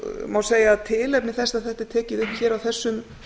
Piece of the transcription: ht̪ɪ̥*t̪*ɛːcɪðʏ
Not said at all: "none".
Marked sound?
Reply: t̪ʰ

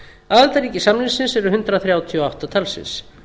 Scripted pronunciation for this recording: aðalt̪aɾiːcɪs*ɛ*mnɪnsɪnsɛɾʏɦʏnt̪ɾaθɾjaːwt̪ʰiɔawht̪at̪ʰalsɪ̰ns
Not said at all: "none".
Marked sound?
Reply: a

